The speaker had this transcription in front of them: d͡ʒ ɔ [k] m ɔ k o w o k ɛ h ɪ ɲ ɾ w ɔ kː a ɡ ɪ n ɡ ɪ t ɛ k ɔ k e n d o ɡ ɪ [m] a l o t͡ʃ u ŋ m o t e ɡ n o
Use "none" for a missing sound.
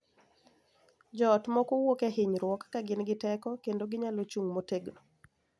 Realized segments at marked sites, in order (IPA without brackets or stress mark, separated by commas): t, ɲ